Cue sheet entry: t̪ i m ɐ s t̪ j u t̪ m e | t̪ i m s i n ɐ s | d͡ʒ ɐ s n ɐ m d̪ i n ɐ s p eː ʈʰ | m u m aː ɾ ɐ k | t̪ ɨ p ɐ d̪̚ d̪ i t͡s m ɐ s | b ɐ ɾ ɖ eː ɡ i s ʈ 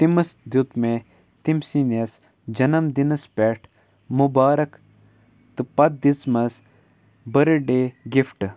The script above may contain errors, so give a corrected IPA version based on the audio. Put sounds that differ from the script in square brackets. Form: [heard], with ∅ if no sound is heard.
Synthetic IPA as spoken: t̪ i m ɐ s [d̪] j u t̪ m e | t̪ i m s i n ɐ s | d͡ʒ ɐ [∅] n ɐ m d̪ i n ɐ s p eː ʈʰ | m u [b] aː ɾ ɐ k | t̪ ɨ p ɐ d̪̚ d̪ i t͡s m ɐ s | b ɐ ɾ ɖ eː ɡ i [f] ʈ